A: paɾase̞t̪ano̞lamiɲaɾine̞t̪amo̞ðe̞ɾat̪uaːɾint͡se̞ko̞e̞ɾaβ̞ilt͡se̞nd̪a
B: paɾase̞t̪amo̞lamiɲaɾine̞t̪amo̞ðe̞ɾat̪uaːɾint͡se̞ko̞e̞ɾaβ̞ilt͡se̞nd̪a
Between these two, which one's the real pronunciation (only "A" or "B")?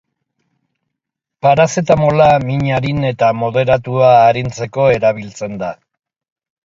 B